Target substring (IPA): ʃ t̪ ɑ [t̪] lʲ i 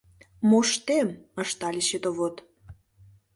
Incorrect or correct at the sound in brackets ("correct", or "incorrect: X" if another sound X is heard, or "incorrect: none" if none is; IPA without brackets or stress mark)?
incorrect: none